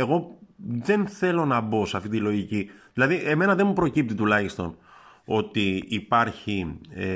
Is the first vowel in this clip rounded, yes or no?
no